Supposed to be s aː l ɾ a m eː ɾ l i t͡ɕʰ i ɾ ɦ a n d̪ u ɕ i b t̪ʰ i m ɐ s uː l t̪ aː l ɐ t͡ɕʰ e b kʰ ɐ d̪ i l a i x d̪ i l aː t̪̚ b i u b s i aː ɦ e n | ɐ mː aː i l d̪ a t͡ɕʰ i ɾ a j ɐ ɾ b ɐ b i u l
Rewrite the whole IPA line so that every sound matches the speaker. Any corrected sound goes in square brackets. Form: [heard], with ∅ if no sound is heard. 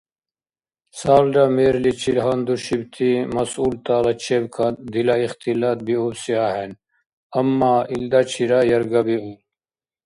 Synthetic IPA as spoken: s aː l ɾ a m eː ɾ l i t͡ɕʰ i [l] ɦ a n d̪ u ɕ i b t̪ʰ i m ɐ s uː l t̪ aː l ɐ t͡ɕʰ e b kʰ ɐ d̪ i l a i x [t̪] i l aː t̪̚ b i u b s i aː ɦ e n | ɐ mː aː i l d̪ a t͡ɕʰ i ɾ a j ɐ ɾ [ɡ] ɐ b i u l

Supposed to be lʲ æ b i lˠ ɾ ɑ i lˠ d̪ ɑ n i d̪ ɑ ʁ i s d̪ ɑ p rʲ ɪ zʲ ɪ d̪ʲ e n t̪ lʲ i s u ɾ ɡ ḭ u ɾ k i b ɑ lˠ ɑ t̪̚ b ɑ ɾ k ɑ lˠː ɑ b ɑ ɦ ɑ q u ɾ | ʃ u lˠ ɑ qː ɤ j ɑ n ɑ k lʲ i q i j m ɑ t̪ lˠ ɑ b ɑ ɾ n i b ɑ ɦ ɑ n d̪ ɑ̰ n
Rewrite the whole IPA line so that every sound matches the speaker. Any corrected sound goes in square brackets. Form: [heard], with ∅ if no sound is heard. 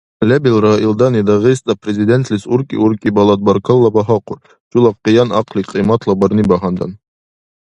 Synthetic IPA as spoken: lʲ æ b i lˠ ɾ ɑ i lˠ d̪ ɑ n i d̪ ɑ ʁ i s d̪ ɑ p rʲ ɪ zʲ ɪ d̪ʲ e n t̪ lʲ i s u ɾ [k] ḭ u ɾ k i b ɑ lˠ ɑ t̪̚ b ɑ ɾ k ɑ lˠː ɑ b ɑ ɦ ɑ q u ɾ | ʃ u lˠ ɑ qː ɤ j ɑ n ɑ [q] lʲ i q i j m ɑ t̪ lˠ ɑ b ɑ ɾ n i b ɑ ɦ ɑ n d̪ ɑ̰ n

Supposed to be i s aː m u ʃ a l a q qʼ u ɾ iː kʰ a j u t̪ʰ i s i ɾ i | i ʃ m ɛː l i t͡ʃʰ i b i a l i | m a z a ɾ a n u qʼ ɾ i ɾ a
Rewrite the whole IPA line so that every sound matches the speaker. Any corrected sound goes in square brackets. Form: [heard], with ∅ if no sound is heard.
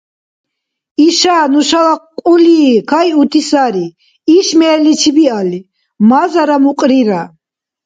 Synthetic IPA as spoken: i [ʃ] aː [n] u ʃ a l a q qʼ u [l] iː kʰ a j u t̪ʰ i s [a] ɾ i | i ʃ m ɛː l i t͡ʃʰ i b i a l i | m a z a ɾ a [m] u qʼ ɾ i ɾ a

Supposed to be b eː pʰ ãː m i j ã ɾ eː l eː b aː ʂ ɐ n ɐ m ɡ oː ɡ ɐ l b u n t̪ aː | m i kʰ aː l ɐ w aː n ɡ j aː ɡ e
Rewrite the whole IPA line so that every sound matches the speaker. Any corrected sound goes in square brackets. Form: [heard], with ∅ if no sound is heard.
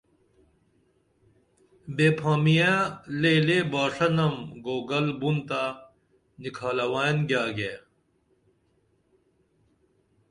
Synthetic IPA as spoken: b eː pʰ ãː m i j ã [l] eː l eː b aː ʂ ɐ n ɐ m ɡ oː ɡ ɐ l b u n t̪ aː | [n] i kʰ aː l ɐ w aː n ɡ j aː ɡ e

